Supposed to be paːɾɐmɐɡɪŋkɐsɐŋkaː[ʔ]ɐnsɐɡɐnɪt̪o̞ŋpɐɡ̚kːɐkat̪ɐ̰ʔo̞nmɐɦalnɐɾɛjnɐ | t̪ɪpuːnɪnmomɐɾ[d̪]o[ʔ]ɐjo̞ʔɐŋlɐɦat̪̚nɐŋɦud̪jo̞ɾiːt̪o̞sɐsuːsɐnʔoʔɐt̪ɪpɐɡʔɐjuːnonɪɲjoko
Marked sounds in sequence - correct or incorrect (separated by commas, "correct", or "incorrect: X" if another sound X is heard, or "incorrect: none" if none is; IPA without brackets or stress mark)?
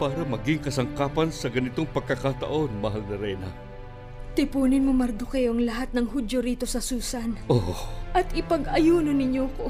incorrect: p, correct, incorrect: k